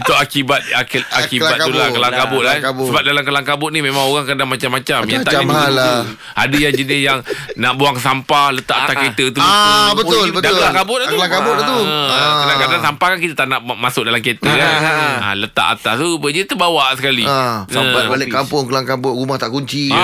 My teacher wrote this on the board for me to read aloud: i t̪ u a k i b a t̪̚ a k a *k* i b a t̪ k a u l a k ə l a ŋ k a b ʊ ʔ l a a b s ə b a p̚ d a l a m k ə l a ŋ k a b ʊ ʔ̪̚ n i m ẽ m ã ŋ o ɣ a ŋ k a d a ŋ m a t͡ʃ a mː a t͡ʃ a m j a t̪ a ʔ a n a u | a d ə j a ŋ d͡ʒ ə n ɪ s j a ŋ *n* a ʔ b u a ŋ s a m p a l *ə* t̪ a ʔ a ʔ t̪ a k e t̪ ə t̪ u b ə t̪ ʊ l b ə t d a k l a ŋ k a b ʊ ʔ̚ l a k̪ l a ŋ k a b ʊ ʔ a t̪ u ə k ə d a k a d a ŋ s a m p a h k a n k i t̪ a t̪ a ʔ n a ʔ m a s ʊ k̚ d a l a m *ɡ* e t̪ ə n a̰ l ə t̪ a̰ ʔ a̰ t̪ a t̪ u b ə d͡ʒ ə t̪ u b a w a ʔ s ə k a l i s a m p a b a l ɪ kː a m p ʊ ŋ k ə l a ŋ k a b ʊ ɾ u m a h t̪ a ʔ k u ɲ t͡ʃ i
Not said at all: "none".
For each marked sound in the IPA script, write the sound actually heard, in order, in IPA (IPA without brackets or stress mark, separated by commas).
k, n, ə, k